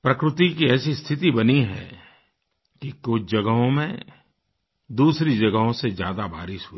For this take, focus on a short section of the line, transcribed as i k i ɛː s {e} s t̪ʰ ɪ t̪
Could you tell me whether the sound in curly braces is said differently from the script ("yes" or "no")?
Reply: yes